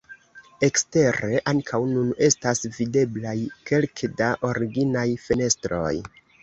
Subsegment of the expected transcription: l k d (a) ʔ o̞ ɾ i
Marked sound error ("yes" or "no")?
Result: no